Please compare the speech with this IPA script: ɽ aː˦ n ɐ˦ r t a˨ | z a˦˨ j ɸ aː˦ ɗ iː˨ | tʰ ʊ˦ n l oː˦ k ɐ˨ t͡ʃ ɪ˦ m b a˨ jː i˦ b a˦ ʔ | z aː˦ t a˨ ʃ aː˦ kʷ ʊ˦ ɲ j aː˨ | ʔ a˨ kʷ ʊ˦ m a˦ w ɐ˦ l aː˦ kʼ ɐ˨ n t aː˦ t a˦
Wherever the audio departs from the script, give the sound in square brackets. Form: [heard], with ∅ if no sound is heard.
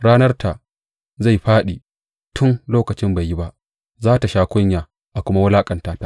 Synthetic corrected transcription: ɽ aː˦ n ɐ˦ r t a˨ | z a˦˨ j ɸ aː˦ ɗ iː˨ | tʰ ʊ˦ n l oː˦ k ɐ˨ t͡ʃ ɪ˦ m b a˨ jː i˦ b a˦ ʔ | z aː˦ t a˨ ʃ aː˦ kʷ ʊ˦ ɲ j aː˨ | ʔ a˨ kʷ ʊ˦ m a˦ w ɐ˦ l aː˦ kʼ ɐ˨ n t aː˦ t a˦